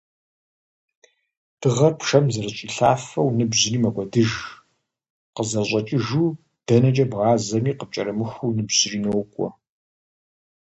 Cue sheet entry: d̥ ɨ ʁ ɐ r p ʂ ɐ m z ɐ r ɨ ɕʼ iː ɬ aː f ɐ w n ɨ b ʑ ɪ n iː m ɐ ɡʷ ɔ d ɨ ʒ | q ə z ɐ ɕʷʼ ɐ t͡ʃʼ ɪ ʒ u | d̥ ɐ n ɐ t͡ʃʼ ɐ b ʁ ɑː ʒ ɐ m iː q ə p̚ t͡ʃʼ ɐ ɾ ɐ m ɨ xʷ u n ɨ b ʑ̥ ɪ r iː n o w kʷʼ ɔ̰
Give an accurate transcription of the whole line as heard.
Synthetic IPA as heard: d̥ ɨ ʁ ɐ r p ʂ ɐ m z ɐ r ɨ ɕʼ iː ɬ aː f ɐ w n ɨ b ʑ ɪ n iː m ɐ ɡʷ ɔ d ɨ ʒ | q ə z ɐ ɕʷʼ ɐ t͡ʃʼ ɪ ʒ u | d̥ ɐ n ɐ t͡ʃʼ ɐ b ʁ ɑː z ɐ m iː q ə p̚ t͡ʃʼ ɐ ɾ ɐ m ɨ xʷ u n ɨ b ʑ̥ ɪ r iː n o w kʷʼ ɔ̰